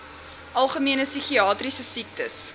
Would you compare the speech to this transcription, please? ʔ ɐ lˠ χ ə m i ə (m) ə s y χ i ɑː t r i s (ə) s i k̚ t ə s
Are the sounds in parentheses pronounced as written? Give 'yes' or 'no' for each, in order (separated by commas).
no, yes